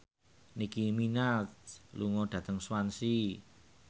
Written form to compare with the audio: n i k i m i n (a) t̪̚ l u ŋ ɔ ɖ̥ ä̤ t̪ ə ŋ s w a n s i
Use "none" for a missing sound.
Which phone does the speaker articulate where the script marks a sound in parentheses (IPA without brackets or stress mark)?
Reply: a